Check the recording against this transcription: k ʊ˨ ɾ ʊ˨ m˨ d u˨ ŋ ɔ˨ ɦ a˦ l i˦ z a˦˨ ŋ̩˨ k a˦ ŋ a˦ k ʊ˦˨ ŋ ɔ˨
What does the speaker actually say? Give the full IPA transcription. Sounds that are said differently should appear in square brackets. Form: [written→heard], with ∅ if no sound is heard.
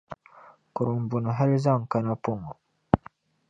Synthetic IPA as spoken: k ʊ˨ ɾ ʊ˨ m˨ [d→b] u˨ [ŋ→n] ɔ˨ ɦ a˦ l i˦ z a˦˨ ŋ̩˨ k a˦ [ŋ→n] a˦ [k→p] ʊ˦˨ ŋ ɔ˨